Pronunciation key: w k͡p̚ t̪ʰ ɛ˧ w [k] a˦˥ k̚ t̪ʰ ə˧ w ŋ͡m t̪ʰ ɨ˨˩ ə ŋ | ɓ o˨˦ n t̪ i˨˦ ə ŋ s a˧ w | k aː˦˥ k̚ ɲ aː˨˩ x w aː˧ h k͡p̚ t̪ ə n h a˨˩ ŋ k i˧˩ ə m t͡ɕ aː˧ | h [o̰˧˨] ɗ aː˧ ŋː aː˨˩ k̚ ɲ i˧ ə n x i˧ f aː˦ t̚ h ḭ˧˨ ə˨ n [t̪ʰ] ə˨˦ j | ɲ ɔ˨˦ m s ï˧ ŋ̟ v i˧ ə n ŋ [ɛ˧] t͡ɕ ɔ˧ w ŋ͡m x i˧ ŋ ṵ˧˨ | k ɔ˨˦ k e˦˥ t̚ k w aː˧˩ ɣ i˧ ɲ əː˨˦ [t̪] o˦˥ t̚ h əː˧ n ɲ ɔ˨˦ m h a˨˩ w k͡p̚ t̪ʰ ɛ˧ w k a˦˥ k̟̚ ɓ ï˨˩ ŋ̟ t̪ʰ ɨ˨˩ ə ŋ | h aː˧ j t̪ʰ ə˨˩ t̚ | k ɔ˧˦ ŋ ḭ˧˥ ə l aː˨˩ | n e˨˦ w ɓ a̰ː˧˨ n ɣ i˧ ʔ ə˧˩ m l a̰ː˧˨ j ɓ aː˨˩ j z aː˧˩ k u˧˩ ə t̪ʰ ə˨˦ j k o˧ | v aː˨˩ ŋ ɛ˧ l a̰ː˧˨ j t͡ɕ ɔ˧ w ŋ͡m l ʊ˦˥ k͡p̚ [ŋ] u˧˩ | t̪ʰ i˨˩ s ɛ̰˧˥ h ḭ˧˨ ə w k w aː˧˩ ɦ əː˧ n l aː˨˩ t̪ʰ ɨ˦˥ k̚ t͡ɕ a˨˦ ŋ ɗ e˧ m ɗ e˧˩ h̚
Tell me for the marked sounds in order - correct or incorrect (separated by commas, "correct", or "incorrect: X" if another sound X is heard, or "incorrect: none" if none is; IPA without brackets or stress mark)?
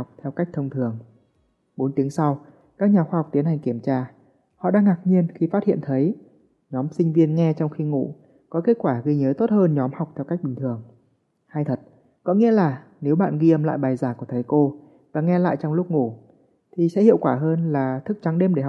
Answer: correct, incorrect: ɔ̰˧˨, correct, correct, correct, correct